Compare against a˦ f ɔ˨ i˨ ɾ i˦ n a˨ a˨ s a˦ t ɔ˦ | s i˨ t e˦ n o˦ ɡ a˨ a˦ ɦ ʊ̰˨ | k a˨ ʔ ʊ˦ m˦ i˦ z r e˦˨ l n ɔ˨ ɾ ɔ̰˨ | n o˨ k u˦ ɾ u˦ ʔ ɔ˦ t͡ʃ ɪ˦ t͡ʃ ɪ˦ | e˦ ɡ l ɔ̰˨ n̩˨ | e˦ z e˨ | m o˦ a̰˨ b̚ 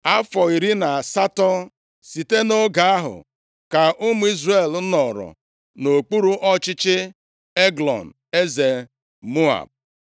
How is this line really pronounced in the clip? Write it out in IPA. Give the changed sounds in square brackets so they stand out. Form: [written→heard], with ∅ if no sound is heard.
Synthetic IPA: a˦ f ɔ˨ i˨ ɾ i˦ n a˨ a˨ s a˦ t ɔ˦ | s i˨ t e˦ n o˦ ɡ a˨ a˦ ɦ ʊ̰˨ | k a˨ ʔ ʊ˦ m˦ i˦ z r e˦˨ l n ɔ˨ ɾ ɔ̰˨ | n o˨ [k→k͡p] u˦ ɾ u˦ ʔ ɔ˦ t͡ʃ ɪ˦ t͡ʃ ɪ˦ | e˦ ɡ l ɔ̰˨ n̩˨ | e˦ z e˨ | m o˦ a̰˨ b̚